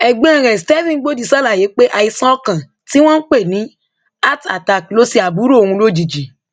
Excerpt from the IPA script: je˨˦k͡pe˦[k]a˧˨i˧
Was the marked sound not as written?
yes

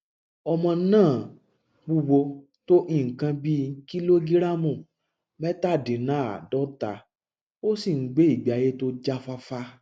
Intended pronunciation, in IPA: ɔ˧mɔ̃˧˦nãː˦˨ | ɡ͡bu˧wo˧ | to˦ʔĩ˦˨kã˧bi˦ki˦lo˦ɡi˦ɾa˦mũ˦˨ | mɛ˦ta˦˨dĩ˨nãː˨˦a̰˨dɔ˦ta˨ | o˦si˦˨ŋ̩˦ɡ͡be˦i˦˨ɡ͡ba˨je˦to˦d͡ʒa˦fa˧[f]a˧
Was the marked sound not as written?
no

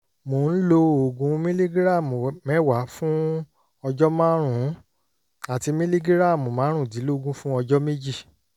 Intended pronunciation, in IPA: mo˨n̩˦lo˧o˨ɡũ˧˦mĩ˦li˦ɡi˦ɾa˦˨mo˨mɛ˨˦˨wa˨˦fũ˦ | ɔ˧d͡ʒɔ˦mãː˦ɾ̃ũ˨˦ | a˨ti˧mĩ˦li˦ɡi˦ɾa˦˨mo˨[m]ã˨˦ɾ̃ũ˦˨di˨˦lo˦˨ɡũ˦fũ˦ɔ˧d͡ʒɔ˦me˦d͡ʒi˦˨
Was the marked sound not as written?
no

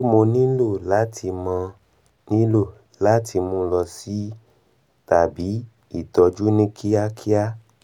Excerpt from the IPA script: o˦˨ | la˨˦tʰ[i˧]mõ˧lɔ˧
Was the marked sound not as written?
no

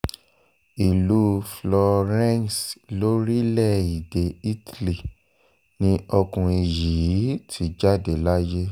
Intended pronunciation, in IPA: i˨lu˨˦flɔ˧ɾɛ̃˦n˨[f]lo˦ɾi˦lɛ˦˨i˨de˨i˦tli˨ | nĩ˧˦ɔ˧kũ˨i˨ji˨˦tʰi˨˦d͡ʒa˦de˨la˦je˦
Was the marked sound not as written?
yes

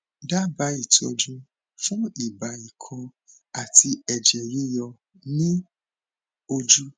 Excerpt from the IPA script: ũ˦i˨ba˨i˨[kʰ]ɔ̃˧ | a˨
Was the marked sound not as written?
no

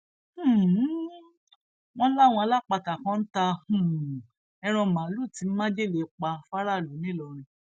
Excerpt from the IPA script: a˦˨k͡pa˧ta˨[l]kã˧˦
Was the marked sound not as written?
yes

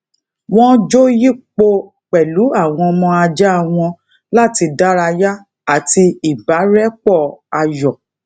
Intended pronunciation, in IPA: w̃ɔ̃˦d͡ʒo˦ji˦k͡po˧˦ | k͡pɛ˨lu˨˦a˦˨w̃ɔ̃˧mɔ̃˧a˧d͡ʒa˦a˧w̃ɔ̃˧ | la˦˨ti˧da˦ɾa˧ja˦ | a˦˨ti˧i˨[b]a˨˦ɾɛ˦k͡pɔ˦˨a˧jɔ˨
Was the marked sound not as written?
no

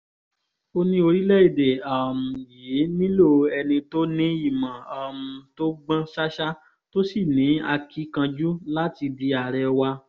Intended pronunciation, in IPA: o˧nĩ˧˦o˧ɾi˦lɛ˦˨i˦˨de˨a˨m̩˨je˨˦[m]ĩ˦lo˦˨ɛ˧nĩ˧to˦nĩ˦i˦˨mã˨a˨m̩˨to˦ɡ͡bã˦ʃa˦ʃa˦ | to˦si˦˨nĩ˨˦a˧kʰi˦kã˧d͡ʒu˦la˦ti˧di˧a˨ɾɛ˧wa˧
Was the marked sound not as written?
yes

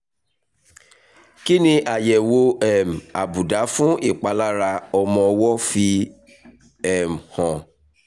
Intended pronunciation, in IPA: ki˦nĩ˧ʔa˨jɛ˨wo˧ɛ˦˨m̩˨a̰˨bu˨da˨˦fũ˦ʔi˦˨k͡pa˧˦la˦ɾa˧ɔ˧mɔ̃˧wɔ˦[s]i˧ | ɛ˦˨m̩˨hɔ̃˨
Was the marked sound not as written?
yes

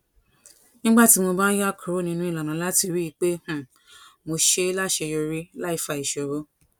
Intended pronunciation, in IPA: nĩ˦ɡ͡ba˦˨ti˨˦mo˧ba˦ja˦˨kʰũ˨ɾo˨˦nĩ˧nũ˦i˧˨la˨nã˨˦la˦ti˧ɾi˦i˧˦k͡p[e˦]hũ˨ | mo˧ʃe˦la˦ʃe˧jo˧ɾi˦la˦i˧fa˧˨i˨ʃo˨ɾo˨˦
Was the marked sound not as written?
no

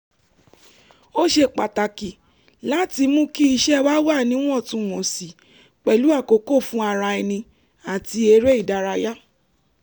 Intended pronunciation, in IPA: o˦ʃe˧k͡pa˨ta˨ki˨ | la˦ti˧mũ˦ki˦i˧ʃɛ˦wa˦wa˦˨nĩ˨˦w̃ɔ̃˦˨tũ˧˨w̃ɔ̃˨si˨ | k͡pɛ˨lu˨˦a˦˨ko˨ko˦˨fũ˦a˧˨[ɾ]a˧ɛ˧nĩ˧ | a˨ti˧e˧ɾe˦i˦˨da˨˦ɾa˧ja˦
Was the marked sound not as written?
no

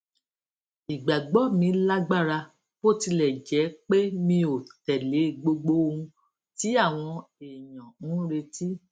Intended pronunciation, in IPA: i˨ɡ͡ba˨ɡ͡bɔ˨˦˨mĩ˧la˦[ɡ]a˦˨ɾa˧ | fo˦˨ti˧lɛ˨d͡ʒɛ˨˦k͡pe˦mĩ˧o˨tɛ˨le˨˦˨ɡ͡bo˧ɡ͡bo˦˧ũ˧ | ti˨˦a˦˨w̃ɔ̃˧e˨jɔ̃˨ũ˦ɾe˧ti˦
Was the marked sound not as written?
yes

